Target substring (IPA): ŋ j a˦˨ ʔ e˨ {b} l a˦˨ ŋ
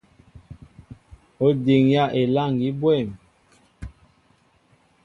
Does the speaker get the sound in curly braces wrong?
yes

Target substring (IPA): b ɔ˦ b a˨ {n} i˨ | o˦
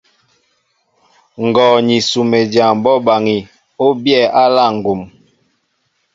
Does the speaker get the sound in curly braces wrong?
yes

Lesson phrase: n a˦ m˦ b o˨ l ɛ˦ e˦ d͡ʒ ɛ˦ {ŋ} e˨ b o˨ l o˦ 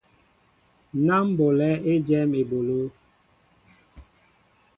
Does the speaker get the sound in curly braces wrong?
yes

